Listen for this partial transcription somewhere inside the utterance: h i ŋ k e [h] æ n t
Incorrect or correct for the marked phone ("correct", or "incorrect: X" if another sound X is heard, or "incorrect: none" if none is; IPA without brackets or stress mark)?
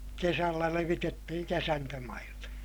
incorrect: s